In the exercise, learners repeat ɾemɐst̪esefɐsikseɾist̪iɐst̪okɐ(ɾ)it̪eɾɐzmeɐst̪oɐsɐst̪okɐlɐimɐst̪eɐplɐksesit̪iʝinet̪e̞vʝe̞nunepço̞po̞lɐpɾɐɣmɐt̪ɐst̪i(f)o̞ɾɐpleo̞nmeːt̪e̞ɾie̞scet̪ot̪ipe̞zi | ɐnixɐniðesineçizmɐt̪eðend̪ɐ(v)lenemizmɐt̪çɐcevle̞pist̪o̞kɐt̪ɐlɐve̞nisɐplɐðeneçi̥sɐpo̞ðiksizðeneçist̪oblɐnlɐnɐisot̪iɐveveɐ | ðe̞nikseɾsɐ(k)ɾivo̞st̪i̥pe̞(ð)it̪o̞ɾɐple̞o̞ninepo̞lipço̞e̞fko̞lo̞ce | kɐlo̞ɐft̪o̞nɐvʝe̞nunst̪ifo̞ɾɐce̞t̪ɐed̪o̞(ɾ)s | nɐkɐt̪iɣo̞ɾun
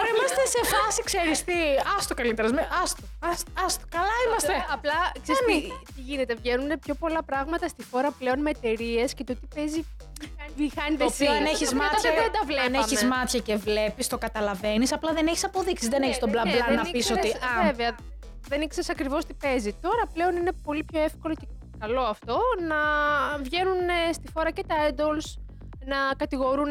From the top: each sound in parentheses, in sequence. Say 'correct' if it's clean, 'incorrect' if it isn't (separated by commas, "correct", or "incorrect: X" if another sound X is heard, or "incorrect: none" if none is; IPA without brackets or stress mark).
incorrect: l, incorrect: x, correct, correct, incorrect: z, incorrect: l